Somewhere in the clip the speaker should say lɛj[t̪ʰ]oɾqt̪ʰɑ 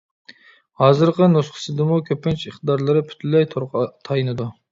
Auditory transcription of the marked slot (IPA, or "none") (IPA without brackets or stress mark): t̪ʰ